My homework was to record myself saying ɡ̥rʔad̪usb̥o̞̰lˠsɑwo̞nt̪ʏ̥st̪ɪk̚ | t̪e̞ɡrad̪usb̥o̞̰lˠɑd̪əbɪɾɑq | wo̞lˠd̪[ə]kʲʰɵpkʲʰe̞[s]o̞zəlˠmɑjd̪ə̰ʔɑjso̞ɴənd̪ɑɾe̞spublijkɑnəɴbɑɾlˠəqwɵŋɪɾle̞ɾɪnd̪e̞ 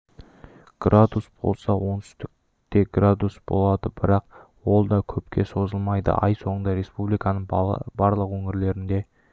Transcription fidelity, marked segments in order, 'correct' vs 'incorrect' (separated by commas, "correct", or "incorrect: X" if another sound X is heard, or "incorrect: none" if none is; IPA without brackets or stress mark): incorrect: ɑ, correct